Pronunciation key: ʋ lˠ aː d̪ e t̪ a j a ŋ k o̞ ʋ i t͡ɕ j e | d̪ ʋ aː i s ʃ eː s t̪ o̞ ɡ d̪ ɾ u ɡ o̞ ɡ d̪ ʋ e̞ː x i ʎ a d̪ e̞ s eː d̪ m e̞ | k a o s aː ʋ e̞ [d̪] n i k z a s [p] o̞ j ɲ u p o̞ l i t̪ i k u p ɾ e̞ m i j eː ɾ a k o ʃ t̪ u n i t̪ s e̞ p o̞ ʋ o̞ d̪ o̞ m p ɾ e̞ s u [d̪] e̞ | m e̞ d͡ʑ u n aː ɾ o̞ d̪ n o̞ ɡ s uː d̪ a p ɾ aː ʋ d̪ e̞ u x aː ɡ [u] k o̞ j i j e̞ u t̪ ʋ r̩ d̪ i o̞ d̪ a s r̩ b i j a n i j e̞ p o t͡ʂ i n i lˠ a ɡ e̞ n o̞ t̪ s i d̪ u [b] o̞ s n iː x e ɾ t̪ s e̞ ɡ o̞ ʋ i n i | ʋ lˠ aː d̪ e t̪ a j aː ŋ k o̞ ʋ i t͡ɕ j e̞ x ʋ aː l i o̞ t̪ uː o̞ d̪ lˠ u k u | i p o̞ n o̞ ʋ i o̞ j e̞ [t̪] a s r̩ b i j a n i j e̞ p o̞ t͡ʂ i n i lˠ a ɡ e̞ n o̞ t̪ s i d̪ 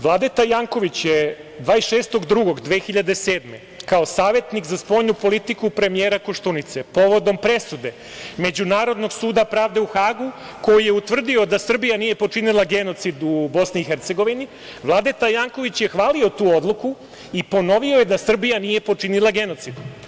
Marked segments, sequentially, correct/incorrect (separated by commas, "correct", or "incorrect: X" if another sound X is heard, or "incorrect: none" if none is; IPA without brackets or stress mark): incorrect: t̪, correct, correct, correct, correct, incorrect: d̪